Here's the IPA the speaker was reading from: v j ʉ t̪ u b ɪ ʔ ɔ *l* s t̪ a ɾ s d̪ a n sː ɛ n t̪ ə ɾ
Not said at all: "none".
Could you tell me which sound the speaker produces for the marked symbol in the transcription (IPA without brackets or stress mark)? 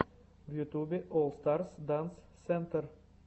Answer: l